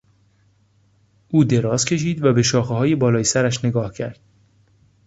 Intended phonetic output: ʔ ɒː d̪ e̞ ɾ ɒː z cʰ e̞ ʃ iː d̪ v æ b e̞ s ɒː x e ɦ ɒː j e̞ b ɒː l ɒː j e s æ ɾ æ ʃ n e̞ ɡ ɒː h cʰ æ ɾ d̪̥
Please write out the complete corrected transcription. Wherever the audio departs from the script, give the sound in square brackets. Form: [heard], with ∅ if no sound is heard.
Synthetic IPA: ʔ [uː] d̪ e̞ ɾ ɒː z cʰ e̞ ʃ iː d̪ v æ b e̞ [ʃ] ɒː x e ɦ ɒː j e̞ b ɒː l ɒː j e s æ ɾ æ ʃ n e̞ ɡ ɒː h cʰ æ ɾ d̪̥